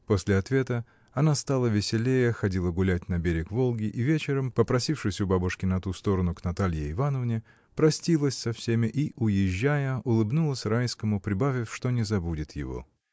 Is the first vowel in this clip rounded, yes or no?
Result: yes